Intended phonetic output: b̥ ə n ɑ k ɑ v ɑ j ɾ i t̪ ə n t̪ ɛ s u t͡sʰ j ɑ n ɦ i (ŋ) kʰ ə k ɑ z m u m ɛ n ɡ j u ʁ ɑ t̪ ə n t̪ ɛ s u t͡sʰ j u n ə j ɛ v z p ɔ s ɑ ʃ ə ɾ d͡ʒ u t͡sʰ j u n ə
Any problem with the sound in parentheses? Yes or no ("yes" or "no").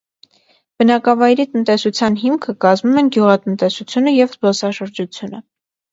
yes